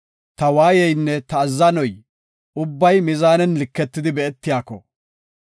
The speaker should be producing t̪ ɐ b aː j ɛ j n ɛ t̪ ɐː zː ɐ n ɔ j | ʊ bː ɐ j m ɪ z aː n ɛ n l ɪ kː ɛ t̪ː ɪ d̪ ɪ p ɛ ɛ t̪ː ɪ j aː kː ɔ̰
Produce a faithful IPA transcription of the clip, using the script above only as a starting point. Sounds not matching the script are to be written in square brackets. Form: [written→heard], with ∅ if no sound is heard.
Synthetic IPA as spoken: t̪ ɐ [b→w] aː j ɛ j [n→nː] ɛ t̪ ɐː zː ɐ n ɔ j | ʊ bː ɐ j m ɪ z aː n ɛ n l ɪ kː ɛ t̪ː ɪ d̪ ɪ [p→b] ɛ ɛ t̪ː ɪ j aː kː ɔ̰